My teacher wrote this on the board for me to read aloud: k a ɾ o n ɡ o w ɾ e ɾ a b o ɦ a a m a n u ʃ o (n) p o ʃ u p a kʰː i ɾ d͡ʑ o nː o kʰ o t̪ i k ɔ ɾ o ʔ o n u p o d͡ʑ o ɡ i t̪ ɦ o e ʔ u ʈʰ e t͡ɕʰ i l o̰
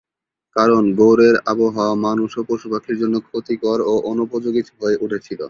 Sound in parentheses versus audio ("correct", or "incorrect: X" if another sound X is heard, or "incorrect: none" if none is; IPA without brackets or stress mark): incorrect: none